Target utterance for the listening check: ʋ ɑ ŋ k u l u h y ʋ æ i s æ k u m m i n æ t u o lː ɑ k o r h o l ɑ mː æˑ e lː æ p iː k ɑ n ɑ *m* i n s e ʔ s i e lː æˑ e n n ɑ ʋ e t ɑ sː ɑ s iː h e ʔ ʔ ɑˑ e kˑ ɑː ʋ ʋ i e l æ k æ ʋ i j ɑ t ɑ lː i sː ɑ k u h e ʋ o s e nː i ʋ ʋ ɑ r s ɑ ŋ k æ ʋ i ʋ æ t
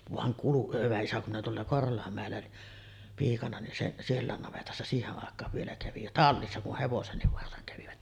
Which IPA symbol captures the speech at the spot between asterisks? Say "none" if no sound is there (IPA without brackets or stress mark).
n